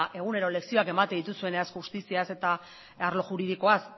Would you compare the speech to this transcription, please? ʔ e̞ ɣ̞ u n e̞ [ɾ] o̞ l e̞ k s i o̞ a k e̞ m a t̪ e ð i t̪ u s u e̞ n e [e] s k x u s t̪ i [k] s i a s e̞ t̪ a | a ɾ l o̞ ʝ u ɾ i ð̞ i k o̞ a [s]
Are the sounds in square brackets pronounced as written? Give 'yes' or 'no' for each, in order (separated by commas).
yes, no, no, yes